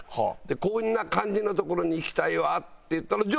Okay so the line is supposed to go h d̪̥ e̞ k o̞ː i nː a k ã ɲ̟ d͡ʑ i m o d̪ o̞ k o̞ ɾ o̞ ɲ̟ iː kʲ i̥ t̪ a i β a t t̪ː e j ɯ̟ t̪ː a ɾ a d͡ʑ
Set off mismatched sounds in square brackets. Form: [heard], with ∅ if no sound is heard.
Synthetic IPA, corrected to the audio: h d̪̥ e̞ k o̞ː i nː a k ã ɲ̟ d͡ʑ i [n] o [t̪] o̞ k o̞ ɾ o̞ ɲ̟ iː kʲ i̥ t̪ a i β a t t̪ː e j ɯ̟ t̪ː a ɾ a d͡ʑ